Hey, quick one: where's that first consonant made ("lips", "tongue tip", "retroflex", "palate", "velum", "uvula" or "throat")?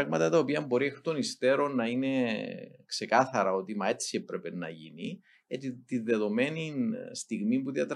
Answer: velum